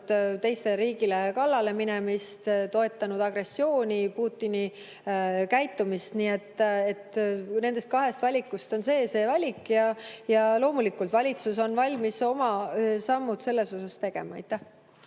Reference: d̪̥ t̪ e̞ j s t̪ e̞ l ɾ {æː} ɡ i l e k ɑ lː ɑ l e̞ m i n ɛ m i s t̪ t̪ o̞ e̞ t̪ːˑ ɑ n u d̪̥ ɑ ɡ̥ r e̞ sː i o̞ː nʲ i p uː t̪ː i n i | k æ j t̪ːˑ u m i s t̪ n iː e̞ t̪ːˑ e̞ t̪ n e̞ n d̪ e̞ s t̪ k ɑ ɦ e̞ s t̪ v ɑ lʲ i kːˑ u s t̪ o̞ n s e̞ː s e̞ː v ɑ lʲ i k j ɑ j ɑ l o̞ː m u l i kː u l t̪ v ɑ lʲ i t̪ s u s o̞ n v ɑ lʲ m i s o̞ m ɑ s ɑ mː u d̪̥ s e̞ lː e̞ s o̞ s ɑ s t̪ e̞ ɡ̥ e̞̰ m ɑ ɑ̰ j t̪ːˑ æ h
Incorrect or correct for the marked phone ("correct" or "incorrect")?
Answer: incorrect